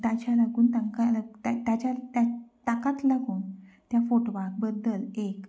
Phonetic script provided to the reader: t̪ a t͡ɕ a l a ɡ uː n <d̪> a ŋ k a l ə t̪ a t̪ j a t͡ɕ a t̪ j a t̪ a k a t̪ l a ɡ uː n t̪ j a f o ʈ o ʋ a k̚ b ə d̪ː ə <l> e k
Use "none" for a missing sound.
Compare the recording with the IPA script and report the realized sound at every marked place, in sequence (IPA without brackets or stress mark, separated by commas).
t̪, l